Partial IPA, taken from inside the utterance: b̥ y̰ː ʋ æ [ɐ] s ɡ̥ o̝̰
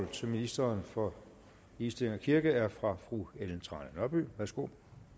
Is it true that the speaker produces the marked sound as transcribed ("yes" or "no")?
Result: yes